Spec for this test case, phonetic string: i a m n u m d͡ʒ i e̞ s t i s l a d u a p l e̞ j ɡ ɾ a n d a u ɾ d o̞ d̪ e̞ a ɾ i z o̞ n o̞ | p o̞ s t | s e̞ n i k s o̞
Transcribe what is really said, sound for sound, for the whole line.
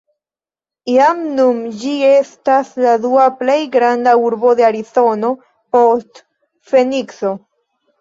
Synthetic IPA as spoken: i a m n u m d͡ʒ i e̞ s t a s l a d u a p l e̞ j ɡ ɾ a n d a u ɾ b o̞ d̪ e̞ a ɾ i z o̞ n o̞ | p o̞ s t | f e̞ n i k s o̞